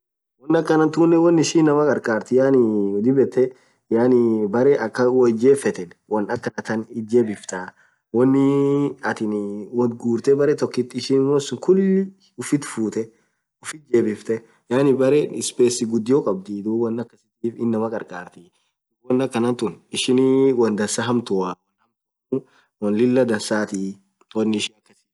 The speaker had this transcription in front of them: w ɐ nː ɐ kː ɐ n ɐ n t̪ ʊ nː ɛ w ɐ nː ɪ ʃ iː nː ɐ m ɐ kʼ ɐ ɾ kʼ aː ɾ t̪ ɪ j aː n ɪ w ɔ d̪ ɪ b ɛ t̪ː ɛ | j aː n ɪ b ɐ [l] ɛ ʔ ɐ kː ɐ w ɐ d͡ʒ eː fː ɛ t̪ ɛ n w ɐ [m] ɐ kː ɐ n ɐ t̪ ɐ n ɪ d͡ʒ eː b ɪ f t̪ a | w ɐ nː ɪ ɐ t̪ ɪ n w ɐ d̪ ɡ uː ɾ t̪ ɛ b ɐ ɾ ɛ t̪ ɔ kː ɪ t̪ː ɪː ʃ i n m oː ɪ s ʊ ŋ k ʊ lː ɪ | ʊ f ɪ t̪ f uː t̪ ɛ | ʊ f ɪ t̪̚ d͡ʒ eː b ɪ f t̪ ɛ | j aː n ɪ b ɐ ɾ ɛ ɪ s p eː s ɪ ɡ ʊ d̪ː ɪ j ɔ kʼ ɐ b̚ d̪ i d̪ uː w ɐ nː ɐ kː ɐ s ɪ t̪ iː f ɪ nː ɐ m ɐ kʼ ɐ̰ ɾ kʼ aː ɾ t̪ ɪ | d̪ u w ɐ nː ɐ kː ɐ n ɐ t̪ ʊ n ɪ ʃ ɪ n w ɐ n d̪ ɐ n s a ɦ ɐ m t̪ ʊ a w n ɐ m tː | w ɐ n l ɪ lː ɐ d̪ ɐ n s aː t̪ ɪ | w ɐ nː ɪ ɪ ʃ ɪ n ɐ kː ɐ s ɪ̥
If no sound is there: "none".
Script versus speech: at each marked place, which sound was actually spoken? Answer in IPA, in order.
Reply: ɾ, n

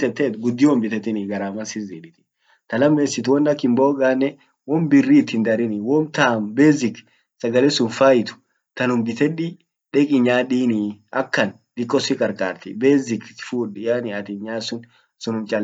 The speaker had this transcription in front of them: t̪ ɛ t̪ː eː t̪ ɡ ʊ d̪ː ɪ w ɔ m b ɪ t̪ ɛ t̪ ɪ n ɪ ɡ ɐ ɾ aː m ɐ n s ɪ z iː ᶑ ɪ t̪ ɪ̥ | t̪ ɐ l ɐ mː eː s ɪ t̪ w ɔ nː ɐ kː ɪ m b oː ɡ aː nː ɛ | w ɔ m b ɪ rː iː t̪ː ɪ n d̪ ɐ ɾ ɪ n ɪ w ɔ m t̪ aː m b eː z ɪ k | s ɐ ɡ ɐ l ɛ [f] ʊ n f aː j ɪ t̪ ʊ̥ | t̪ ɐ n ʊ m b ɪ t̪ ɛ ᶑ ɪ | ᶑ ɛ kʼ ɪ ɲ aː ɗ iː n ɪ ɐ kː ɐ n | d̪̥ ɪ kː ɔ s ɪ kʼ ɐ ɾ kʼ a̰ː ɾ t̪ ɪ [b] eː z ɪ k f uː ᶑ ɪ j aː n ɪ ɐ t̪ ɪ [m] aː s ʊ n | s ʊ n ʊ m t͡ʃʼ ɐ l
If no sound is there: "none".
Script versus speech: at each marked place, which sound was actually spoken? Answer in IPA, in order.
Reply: s, b, ɲ

